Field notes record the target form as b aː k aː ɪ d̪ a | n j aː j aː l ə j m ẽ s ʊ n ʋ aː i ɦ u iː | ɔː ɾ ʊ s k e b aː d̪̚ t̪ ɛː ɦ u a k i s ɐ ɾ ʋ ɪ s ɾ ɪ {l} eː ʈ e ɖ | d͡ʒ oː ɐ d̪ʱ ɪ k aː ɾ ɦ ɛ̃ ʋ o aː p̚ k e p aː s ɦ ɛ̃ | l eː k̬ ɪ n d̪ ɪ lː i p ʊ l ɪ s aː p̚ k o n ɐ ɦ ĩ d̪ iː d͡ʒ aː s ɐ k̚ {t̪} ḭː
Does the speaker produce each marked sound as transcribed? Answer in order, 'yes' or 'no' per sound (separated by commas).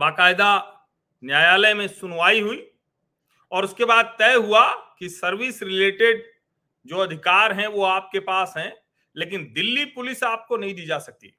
yes, yes